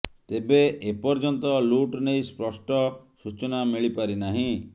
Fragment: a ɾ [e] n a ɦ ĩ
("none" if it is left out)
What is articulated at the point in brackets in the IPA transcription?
i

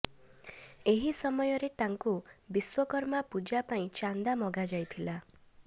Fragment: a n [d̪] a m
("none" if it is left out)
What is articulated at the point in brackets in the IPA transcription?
d̪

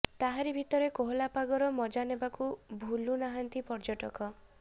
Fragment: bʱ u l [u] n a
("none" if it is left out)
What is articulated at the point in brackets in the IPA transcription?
u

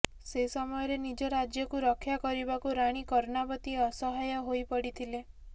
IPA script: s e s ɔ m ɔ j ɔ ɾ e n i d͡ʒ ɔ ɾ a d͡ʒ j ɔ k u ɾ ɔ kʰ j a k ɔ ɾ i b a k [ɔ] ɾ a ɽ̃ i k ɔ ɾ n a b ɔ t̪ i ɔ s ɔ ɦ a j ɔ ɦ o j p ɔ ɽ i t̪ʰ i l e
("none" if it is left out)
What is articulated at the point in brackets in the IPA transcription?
u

